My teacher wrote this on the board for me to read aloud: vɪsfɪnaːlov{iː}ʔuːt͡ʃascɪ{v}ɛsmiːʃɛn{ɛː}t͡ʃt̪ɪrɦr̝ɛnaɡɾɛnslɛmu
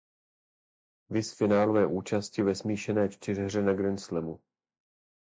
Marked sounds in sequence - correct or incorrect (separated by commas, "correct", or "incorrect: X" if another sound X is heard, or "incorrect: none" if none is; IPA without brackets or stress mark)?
incorrect: ɛː, correct, correct